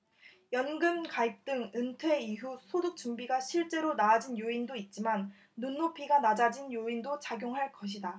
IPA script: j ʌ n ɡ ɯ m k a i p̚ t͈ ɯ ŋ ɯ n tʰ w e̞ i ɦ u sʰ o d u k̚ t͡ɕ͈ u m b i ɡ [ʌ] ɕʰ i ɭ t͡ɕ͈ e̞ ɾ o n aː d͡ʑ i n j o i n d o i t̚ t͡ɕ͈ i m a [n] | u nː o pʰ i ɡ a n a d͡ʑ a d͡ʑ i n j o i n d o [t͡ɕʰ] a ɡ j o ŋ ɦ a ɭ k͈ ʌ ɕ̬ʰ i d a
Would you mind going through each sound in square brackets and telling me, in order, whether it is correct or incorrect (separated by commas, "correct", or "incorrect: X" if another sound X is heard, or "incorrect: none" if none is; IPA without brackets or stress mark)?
incorrect: a, incorrect: nː, incorrect: t͡ɕ